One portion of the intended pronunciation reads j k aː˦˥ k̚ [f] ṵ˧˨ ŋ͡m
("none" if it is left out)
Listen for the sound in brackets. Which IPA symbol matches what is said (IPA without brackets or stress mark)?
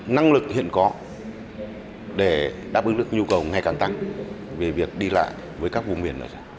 v